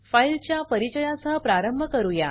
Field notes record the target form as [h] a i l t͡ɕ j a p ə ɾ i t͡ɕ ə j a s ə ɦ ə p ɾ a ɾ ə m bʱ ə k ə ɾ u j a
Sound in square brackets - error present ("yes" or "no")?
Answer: yes